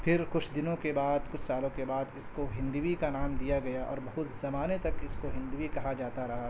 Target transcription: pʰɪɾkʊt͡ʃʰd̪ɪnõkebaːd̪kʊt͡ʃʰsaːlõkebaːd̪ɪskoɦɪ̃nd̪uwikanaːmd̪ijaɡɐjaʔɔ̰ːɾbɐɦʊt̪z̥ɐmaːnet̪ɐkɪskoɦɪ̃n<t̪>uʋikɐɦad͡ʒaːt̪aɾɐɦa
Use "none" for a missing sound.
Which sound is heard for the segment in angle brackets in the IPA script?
d̪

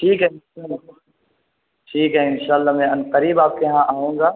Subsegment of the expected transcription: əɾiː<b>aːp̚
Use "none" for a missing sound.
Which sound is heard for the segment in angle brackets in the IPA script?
b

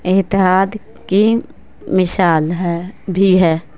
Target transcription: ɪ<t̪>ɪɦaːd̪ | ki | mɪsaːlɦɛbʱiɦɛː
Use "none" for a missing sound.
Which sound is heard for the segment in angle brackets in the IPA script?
t̪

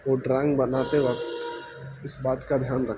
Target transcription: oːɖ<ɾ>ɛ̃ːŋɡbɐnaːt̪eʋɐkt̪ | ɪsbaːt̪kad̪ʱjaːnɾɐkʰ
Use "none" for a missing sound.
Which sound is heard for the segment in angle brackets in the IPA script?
ɾ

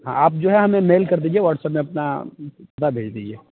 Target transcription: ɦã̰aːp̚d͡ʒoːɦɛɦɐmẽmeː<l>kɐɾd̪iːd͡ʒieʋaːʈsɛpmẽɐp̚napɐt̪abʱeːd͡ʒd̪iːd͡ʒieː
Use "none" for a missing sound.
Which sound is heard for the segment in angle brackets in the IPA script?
l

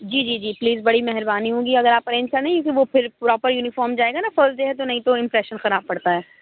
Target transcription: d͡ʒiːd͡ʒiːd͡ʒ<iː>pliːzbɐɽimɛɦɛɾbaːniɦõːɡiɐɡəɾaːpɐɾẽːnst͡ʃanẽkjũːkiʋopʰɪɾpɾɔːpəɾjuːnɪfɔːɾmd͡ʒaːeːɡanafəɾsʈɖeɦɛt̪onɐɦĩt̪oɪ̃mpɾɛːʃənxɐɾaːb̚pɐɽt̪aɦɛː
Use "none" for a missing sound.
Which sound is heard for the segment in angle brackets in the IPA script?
iː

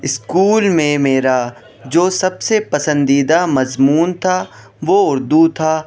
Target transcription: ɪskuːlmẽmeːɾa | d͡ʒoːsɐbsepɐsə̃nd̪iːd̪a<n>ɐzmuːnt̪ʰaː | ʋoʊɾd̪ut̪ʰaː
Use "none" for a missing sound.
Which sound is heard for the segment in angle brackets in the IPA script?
m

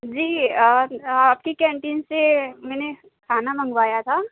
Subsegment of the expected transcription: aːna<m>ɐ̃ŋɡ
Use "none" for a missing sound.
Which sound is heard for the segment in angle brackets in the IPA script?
m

